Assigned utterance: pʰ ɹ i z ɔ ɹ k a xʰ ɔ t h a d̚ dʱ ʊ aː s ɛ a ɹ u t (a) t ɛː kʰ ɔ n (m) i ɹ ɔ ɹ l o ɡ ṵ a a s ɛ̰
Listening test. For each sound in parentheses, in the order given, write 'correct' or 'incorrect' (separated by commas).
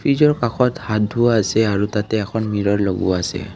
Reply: correct, correct